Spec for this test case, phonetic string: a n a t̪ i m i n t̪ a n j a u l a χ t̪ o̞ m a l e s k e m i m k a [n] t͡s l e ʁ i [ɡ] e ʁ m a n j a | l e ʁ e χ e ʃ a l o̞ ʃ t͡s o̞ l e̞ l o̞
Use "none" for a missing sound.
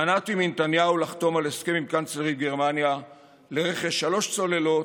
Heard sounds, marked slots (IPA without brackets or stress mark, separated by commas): n, ɡ